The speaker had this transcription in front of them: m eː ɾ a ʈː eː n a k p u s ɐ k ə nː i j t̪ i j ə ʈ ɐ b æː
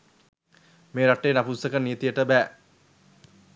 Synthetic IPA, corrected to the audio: m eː ɾ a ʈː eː n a p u s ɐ k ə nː i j t̪ i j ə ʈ ə b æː